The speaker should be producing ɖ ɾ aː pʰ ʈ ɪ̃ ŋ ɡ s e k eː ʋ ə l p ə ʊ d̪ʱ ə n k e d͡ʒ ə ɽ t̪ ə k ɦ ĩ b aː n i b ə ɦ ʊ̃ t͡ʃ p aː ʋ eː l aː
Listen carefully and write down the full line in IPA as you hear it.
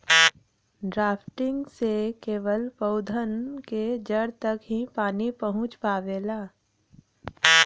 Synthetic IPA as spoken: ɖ ɾ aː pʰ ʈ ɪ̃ ŋ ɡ s e k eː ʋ ə l p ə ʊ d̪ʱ ə n k e d͡ʒ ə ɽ t̪ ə k ɦ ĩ p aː n i p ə ɦ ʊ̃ t͡ʃ p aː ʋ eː l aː